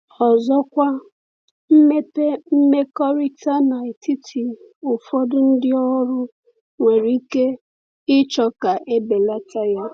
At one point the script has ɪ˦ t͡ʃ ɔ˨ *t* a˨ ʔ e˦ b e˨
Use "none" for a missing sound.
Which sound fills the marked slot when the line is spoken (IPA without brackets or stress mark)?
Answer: k